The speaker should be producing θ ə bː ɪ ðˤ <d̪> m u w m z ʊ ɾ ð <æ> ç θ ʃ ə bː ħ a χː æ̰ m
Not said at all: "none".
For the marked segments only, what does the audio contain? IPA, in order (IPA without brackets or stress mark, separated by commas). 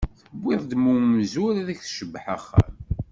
d̪, æ